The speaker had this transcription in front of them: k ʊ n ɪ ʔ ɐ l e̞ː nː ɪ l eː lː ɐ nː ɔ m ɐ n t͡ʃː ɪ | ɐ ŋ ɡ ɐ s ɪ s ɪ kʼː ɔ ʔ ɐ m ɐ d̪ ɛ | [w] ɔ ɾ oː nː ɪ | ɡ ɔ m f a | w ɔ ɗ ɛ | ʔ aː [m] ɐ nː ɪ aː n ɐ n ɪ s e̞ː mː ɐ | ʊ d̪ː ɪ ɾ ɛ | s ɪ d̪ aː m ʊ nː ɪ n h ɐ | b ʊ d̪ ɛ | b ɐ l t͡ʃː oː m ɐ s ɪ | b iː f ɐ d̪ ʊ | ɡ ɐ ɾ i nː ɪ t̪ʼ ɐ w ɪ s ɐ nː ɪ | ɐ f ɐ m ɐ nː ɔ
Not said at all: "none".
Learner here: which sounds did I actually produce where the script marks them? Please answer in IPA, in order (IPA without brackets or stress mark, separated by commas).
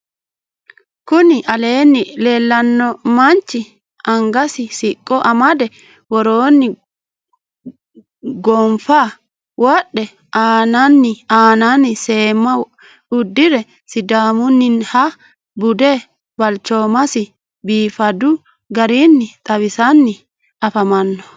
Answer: w, n